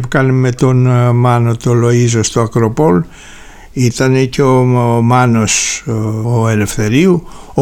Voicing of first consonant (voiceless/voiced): voiceless